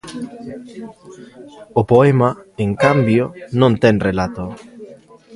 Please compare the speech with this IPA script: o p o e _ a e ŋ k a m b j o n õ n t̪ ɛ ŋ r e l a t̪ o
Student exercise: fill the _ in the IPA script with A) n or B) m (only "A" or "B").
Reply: B